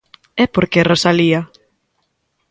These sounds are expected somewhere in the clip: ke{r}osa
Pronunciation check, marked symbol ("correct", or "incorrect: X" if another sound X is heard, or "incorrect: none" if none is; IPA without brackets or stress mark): correct